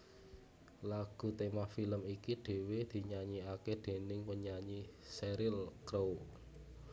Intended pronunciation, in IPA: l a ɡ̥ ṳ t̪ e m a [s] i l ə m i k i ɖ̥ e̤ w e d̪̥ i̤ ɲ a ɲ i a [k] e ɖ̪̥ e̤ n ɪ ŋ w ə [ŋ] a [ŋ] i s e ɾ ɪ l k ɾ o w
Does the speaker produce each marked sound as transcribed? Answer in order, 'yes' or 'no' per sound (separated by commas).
no, yes, no, no